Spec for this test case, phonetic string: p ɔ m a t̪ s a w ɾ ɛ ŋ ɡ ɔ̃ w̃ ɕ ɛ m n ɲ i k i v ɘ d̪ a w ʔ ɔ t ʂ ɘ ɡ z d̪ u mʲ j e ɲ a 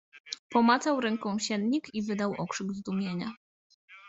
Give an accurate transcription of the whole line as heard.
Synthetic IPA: p ɔ m a t̪ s a w ɾ ɛ ŋ k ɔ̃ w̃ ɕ ɛ n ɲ i k i v ɘ d̪ a w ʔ ɔ k ʂ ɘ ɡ z d̪ u mʲ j e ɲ a